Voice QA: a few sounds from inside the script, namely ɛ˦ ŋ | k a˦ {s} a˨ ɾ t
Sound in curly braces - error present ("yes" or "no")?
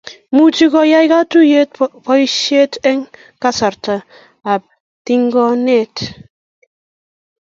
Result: no